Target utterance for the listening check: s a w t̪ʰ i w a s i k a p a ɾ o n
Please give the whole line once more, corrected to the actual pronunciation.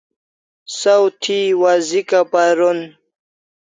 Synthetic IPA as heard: s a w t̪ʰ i w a z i k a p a ɾ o n